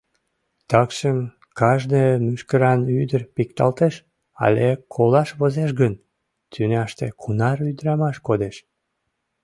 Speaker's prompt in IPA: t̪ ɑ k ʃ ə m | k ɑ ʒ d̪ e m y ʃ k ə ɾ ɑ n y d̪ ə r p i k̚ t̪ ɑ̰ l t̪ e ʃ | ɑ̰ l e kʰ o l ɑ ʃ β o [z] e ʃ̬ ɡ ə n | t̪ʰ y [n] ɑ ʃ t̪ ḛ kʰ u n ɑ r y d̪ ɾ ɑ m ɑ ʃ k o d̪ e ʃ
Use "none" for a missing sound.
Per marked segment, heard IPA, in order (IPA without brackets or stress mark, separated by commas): z, n